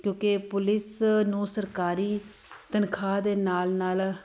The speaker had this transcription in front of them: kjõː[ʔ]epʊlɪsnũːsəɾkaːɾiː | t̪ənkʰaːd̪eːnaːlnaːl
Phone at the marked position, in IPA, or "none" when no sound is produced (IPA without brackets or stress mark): k